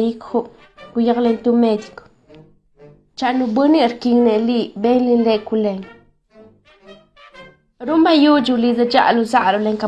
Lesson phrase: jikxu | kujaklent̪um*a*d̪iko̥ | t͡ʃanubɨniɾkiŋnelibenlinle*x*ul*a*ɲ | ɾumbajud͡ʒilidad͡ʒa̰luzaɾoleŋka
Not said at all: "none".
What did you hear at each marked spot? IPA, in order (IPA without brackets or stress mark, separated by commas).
e, k, e